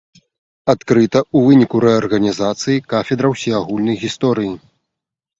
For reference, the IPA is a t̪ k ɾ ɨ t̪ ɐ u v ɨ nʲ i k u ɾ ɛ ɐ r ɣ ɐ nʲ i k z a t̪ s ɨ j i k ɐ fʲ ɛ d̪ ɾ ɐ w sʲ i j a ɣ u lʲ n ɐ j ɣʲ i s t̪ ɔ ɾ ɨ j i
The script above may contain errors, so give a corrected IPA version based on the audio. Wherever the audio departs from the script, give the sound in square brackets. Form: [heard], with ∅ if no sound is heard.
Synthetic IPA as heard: a t̪ k ɾ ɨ t̪ ɐ u v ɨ nʲ i k u ɾ ɛ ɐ r ɣ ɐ nʲ i [∅] z a t̪ s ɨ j i k [a] fʲ ɛ d̪ ɾ ɐ w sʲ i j a ɣ u lʲ n ɐ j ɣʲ i s t̪ ɔ ɾ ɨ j i

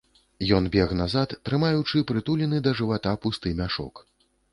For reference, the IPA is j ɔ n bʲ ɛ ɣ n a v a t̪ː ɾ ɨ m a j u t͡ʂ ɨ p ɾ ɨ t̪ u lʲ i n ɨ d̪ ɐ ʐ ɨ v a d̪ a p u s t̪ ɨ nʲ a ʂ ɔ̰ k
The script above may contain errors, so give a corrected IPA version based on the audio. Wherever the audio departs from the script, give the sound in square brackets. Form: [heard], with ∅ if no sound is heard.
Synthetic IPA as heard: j ɔ n bʲ ɛ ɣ n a [z] a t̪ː ɾ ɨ m a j u t͡ʂ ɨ p ɾ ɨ t̪ u lʲ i n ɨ d̪ ɐ ʐ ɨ v a [t̪] a p u s t̪ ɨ [mʲ] a ʂ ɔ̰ k

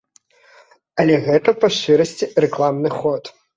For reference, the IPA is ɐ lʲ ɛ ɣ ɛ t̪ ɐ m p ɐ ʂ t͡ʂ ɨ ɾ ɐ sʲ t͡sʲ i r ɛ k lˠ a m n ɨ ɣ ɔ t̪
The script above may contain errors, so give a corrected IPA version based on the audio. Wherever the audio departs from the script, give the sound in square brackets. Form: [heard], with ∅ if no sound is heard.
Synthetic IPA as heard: ɐ lʲ ɛ ɣ ɛ t̪ ɐ [∅] p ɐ ʂ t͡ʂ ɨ ɾ ɐ sʲ t͡sʲ i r ɛ k lˠ a m n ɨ [x] ɔ t̪

